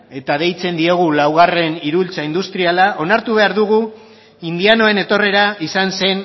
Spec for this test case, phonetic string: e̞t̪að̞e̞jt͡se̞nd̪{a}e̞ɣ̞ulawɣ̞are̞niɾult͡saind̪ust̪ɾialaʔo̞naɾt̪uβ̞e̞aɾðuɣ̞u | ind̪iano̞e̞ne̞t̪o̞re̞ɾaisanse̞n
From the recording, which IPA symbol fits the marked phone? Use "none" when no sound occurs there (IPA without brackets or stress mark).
i